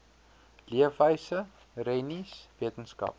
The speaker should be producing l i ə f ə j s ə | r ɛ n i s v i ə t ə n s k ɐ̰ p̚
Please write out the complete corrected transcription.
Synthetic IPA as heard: l i ə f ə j s ə | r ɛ n i s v i ə t ə n s k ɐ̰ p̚